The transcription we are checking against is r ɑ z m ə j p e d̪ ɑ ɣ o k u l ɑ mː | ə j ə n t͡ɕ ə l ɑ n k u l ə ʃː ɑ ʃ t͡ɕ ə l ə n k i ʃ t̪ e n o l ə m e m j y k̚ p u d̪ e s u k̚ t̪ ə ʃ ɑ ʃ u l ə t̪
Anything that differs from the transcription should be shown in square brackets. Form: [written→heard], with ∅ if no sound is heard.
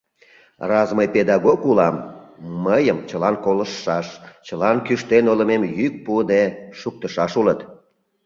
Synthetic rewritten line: r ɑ z m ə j p e d̪ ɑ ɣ o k u l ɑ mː | ə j ə [n→m] t͡ɕ ə l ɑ n k [u→o] l ə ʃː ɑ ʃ t͡ɕ ə l [ə→ɑ] n k [i→y] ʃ t̪ e n o l ə m e m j y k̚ p u d̪ e [s→ʃ] u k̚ t̪ ə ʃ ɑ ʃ u l ə t̪